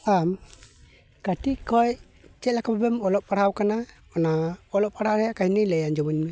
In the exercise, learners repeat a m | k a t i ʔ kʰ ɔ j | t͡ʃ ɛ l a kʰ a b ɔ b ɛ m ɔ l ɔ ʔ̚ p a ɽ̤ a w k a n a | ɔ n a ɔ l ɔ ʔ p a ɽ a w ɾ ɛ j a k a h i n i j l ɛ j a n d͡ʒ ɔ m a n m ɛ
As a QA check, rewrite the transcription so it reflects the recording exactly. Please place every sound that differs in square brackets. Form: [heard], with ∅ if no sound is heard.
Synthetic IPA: a m | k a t i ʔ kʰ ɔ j | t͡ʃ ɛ l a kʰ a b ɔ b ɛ m ɔ l ɔ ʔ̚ p a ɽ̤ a w k a n a | ɔ n a ɔ l ɔ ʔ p a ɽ a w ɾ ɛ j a k a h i n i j l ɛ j a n d͡ʒ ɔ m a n m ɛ